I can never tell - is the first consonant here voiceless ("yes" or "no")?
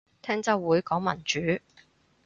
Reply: yes